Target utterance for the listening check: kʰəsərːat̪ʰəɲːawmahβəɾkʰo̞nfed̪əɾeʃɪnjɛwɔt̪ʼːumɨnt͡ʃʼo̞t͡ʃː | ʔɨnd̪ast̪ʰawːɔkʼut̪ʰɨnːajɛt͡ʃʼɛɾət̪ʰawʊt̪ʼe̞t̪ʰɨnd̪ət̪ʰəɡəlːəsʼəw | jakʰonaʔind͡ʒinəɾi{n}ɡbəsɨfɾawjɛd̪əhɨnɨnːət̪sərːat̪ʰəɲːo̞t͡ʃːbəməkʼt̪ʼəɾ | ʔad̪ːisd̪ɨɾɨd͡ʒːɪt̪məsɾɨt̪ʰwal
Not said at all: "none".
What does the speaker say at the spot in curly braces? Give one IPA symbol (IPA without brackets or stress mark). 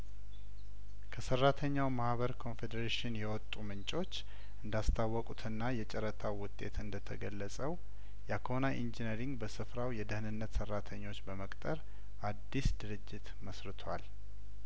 ŋ